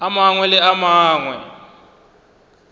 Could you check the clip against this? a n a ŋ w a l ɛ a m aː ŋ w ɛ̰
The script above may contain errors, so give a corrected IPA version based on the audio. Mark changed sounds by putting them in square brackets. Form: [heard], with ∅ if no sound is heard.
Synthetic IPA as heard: a [m] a ŋ w [ɛ] l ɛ a m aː ŋ w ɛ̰